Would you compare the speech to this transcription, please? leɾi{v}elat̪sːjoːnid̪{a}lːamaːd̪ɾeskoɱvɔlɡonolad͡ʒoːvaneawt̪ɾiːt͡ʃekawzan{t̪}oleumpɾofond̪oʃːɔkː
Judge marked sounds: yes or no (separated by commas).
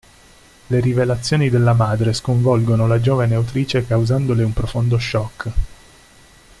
yes, no, no